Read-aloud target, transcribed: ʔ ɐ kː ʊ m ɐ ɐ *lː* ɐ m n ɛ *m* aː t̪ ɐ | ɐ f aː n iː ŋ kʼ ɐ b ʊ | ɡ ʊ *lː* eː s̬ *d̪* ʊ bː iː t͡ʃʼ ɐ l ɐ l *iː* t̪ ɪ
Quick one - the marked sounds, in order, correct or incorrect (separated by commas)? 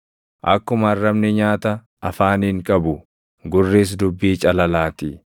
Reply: incorrect, incorrect, incorrect, correct, incorrect